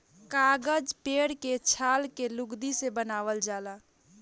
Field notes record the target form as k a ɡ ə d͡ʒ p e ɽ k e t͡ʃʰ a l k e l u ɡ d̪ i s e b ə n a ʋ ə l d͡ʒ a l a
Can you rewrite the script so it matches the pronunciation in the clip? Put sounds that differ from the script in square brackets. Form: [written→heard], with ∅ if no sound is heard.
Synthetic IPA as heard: k a ɡ ə d͡ʒ p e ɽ k e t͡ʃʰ a l k e l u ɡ d̪ i s e b ə n a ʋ ə l d͡ʒ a l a